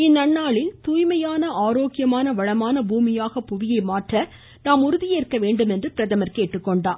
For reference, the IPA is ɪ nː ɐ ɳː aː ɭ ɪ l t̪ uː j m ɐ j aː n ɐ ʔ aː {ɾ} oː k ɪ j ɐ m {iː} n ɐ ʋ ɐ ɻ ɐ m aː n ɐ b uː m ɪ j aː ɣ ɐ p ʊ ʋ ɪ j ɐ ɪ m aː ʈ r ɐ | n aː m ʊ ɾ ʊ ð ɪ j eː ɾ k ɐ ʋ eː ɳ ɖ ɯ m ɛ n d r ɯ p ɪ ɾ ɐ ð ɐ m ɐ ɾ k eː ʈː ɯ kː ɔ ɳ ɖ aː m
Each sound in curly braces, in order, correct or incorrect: correct, incorrect: aː

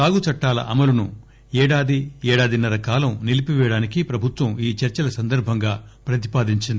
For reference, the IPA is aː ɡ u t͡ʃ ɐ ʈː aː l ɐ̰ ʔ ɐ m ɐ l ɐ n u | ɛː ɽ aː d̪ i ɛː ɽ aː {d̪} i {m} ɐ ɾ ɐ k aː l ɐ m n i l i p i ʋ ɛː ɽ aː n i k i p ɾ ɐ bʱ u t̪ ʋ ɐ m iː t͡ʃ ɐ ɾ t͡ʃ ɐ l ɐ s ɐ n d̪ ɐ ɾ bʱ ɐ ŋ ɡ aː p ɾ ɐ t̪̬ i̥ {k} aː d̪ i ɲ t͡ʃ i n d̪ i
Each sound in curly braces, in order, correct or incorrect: correct, incorrect: n, incorrect: p

